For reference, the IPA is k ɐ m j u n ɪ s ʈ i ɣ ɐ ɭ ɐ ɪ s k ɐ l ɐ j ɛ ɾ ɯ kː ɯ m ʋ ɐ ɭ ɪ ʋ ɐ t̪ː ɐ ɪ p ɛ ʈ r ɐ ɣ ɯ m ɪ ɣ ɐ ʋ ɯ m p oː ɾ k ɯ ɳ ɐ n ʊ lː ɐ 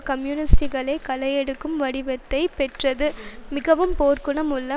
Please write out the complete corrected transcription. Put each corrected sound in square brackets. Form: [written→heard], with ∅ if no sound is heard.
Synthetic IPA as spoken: k ɐ m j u n ɪ s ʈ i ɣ ɐ ɭ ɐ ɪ [s→∅] k ɐ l ɐ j ɛ [ɾ→ɽ] ɯ kː ɯ m ʋ ɐ [ɭ→ɽ] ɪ ʋ ɐ t̪ː ɐ ɪ p ɛ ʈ r ɐ [ɣ→ð] ɯ m ɪ ɣ ɐ ʋ ɯ m p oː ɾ k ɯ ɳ ɐ [n→m] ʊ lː ɐ